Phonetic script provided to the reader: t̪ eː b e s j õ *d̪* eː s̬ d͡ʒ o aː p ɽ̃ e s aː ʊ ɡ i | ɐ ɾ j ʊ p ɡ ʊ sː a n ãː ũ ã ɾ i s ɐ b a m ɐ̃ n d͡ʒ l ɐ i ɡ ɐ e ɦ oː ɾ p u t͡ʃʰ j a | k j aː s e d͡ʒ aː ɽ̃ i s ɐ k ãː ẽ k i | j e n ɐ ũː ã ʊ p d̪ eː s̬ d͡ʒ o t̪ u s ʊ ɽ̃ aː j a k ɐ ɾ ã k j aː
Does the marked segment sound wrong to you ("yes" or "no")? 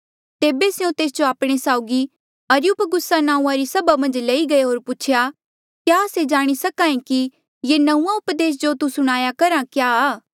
yes